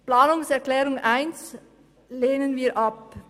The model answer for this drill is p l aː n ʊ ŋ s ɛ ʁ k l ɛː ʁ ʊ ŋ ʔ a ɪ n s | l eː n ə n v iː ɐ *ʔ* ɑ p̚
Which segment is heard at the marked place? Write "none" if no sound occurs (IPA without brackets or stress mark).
ʔ